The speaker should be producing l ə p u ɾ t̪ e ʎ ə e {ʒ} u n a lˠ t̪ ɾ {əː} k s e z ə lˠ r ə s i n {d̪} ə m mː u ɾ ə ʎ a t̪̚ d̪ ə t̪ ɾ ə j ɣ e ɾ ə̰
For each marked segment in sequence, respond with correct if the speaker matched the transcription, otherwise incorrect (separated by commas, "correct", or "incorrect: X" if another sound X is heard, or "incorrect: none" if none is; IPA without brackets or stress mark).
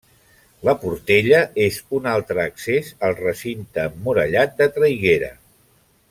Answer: incorrect: z, correct, incorrect: t̪